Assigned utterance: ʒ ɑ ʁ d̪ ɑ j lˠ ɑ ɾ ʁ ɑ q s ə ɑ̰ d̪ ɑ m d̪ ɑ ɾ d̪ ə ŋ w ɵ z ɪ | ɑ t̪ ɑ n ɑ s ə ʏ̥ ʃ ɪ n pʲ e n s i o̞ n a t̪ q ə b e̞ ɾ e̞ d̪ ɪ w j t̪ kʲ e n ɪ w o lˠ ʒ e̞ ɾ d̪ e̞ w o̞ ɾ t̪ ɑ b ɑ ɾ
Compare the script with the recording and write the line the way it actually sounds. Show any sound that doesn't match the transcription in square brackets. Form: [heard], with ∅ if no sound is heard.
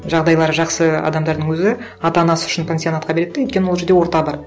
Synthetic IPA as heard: ʒ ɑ ʁ d̪ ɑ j lˠ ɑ ɾ [ʒ] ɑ q s ə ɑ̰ d̪ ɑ m d̪ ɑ ɾ d̪ ə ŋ w ɵ z ɪ | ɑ t̪ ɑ n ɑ s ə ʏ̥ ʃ ɪ n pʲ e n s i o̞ n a t̪ q [ɑ] b e̞ ɾ e̞ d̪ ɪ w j t̪ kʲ e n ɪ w o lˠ ʒ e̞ ɾ d̪ e̞ w o̞ ɾ t̪ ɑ b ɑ ɾ